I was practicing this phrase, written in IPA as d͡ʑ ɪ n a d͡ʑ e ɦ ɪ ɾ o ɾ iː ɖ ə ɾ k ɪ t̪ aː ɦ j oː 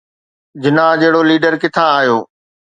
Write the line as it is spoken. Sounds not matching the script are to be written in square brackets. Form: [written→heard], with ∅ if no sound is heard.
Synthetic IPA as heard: d͡ʑ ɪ n a d͡ʑ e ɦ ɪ [ɾ→ɽ] o [ɾ→l] iː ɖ ə ɾ k ɪ [t̪→t̪ʰ] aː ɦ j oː